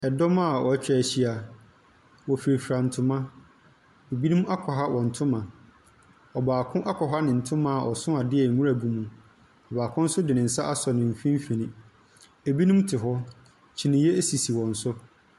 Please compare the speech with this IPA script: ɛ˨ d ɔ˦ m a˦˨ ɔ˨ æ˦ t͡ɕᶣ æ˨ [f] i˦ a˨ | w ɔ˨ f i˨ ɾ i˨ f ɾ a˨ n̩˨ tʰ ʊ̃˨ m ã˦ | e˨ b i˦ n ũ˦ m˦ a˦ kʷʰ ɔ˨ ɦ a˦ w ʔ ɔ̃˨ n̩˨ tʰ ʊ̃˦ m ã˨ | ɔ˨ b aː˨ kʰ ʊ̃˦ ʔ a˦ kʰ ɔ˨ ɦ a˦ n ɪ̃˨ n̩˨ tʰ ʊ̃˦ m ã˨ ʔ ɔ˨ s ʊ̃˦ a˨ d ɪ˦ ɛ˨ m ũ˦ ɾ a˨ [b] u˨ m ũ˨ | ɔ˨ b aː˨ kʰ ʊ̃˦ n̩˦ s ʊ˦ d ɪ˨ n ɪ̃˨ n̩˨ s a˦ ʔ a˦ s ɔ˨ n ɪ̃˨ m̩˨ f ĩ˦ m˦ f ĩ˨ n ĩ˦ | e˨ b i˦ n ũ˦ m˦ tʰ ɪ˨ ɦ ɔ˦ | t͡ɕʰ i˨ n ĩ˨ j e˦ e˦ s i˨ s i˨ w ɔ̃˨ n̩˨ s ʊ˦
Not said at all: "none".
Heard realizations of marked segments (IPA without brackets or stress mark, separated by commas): ɕ, b